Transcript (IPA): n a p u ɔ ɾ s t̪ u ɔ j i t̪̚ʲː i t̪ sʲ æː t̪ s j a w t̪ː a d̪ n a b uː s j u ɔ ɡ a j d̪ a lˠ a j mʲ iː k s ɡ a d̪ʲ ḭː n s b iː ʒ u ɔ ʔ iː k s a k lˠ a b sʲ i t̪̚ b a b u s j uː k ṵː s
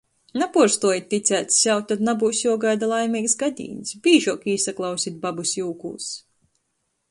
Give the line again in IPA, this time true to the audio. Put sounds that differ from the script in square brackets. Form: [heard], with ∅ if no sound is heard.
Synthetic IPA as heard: n a p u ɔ ɾ s t̪ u ɔ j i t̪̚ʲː i t̪ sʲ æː t̪ s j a w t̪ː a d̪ n a b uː s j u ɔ ɡ a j d̪ a lˠ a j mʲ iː k s ɡ a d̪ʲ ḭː n s b iː ʒ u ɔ [k] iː [∅] s a k lˠ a [w] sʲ i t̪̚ b a b u s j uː k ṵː s